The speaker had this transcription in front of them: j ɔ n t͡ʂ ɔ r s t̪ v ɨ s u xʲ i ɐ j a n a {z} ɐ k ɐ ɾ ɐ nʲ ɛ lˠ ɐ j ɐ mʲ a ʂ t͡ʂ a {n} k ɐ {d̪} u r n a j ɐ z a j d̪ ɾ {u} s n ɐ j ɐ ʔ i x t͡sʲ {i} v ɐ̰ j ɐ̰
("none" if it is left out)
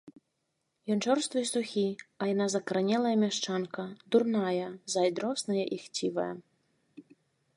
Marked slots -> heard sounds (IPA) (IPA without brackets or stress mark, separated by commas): z, n, d̪, ɔ, i